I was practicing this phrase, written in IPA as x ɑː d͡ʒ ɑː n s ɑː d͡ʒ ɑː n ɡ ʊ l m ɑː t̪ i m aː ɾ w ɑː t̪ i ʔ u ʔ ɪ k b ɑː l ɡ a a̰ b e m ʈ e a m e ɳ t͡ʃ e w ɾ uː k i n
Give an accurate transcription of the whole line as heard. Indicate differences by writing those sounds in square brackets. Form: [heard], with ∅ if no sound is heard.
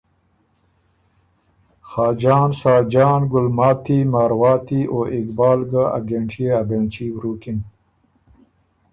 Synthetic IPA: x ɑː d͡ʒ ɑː n s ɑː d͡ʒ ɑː n ɡ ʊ l m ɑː t̪ i m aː ɾ w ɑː t̪ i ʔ [o] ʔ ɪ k b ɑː l ɡ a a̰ [ɡ] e [ɳ] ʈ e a [b] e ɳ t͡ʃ [i] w ɾ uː k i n